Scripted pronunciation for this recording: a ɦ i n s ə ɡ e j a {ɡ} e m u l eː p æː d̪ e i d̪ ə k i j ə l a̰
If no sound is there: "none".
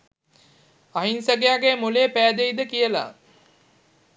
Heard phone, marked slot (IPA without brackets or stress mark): ɡ